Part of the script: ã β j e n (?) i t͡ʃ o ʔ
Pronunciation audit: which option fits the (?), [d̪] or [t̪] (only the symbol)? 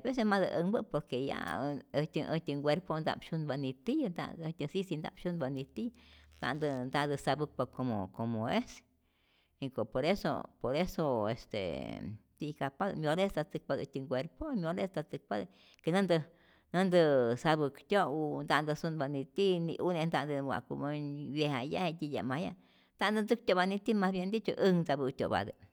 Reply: d̪